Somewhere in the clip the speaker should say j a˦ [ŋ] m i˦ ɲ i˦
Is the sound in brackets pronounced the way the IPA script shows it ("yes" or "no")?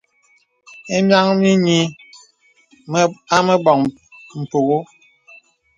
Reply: yes